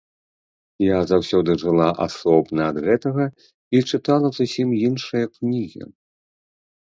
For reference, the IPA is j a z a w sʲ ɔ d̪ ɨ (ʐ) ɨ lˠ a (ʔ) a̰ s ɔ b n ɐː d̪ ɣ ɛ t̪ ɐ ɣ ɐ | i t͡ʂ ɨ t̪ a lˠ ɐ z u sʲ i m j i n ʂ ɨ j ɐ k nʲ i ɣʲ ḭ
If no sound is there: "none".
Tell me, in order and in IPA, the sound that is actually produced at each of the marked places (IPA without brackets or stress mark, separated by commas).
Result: ʐ, ʔ